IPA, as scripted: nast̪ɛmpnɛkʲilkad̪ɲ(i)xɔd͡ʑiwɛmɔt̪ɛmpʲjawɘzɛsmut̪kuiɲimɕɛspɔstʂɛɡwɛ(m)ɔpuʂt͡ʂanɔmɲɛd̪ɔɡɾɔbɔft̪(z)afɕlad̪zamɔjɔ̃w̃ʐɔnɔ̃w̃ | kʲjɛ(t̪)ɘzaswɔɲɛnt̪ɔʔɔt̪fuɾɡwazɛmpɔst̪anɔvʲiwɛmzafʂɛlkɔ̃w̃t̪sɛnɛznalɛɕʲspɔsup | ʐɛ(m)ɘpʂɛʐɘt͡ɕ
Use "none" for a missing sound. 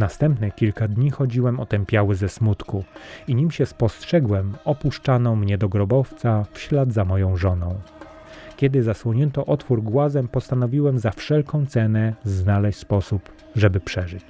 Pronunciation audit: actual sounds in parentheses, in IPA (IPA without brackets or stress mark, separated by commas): i, m, s, d̪, b